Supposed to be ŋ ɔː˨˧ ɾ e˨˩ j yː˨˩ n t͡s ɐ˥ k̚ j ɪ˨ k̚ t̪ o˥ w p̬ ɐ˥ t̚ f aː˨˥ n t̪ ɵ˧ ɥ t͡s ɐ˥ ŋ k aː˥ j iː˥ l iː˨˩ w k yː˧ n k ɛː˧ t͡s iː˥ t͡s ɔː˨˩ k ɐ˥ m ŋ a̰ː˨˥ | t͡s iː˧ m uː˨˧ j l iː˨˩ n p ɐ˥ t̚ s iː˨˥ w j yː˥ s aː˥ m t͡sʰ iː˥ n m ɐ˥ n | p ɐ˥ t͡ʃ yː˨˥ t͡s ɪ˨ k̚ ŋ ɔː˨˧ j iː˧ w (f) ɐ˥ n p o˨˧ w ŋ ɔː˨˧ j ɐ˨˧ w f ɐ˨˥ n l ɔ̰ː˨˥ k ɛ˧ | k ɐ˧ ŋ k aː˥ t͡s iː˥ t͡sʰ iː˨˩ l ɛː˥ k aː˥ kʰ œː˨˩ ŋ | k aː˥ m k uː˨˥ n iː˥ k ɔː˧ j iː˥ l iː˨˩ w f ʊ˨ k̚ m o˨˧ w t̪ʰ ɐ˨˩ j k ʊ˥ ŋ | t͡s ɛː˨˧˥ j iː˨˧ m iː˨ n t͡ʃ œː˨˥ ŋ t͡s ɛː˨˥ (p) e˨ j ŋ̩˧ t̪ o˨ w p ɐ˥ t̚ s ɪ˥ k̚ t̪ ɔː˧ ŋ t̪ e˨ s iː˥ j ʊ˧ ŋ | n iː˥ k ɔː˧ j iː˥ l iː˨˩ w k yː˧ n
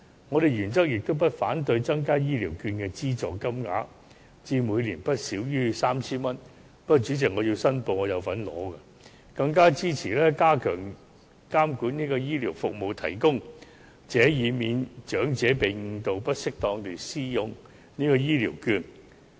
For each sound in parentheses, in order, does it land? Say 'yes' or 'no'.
no, yes

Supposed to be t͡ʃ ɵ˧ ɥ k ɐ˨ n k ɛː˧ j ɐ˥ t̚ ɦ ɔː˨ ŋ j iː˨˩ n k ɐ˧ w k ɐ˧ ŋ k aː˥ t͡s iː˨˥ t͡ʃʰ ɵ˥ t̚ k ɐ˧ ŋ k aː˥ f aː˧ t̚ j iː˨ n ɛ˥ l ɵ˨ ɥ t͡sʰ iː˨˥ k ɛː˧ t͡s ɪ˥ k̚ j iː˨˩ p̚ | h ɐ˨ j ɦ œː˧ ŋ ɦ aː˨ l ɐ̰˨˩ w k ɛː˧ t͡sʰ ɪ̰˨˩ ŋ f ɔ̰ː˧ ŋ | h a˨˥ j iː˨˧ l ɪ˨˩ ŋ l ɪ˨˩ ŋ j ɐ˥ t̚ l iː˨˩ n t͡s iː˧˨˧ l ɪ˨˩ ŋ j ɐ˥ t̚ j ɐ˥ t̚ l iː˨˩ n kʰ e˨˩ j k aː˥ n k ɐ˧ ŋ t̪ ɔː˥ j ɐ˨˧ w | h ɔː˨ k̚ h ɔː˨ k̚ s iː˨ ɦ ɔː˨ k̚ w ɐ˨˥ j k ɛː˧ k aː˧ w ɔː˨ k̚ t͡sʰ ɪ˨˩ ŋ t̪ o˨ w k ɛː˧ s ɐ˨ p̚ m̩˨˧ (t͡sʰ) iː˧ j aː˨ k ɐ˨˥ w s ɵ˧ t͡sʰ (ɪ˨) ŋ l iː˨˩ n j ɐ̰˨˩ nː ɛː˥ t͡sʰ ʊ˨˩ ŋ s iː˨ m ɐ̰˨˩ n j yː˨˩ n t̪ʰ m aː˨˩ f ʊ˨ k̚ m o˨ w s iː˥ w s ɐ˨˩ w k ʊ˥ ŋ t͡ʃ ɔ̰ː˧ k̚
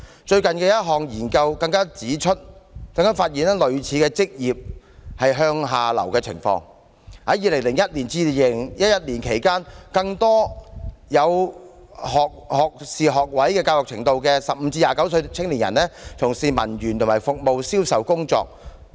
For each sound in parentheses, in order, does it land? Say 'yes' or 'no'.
no, no

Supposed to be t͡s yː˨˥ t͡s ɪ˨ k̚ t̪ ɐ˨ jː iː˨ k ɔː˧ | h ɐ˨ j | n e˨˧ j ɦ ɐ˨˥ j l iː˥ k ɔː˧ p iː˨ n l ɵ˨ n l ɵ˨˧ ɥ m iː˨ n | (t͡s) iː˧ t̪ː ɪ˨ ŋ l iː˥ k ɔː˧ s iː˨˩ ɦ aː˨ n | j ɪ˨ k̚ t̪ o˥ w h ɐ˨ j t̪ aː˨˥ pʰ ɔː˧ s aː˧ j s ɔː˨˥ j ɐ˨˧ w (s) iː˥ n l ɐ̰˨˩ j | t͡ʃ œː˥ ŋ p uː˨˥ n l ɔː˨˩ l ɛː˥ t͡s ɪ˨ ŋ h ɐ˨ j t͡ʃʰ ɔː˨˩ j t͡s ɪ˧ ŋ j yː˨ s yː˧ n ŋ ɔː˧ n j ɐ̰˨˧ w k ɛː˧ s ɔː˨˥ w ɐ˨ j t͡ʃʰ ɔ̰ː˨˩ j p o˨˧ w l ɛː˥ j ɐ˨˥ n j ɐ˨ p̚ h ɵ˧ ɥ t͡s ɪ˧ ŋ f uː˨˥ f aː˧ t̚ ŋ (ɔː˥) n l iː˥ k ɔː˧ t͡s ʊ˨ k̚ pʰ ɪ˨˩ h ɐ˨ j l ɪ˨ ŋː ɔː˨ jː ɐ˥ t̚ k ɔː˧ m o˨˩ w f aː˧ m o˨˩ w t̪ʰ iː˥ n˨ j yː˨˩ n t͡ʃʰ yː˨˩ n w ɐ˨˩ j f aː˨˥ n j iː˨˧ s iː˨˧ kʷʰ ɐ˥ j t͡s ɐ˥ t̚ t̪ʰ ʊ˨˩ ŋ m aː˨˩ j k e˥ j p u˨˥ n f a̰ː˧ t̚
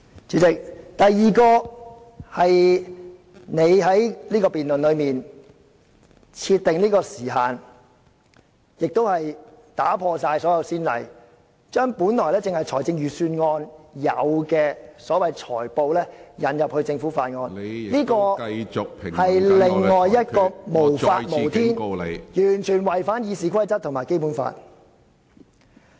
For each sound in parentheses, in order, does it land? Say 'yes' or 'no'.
no, yes, no

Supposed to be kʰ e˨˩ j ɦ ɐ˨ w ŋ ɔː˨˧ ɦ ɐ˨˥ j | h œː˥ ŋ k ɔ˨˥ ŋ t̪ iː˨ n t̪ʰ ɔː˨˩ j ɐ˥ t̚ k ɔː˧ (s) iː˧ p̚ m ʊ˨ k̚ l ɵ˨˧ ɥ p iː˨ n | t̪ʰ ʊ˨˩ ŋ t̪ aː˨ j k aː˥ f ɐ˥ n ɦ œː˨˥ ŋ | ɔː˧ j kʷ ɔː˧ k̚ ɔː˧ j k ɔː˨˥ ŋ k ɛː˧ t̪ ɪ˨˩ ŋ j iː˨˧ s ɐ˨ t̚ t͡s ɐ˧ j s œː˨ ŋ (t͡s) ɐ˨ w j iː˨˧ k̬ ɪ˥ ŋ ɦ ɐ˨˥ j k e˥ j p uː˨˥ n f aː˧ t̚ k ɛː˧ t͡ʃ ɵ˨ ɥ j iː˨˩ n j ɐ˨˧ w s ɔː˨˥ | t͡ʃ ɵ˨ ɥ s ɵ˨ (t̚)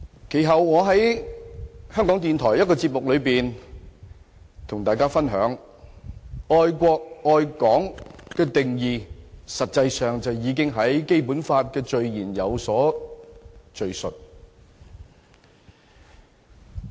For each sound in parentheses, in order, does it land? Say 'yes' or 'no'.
no, yes, yes

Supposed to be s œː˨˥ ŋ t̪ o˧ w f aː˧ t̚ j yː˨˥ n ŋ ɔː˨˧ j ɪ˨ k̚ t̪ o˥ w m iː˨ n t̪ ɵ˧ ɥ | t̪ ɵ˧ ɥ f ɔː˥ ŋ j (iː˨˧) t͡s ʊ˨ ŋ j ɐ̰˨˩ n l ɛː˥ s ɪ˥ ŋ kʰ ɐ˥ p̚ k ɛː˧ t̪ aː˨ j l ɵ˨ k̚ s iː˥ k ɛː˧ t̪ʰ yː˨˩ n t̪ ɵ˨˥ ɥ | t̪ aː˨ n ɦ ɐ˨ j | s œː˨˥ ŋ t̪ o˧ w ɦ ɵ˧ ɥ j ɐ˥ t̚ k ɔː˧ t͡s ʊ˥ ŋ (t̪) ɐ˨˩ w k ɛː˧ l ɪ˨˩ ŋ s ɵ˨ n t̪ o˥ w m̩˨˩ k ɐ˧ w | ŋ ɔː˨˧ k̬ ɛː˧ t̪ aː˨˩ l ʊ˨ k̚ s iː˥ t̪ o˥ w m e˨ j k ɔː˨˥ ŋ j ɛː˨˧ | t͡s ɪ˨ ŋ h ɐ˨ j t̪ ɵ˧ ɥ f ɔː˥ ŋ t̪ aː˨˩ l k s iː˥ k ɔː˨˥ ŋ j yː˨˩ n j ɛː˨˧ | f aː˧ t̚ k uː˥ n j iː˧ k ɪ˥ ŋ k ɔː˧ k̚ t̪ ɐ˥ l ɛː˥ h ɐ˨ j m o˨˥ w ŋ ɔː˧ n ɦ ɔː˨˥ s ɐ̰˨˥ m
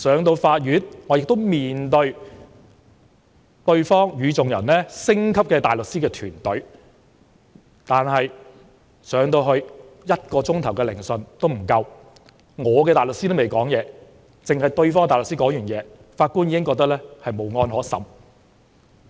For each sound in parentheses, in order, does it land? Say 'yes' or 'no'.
no, no

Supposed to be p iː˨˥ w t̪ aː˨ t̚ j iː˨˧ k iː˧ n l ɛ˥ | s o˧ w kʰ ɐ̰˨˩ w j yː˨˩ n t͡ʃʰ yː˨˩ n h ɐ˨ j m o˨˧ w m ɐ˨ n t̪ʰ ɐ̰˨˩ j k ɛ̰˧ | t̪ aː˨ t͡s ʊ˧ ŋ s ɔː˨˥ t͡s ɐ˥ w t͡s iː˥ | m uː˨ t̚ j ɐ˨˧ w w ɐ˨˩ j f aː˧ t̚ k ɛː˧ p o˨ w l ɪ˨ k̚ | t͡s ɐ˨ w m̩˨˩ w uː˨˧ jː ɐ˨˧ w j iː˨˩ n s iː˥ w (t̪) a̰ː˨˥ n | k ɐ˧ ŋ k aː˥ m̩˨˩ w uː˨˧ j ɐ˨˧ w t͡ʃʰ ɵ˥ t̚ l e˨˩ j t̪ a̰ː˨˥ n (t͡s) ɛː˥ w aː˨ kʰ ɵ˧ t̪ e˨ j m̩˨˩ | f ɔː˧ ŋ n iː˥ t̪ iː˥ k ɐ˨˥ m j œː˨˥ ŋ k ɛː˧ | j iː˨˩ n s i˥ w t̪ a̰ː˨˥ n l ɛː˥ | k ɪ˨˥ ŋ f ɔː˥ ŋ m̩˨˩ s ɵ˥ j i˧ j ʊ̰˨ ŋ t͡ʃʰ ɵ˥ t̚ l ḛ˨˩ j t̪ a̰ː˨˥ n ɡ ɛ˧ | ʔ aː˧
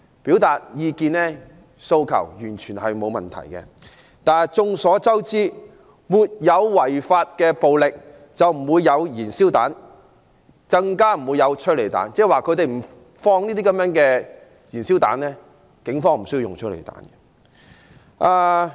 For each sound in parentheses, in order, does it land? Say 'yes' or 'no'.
yes, yes

